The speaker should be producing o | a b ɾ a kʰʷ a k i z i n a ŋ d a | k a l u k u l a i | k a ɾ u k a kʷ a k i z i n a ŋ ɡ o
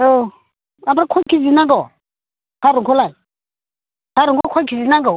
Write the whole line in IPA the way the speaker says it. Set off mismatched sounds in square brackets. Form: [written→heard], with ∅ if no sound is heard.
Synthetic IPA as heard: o | a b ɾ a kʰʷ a k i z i n a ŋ [d→ɡ] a | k a [l→ɾ] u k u l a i | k a ɾ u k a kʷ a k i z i n a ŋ ɡ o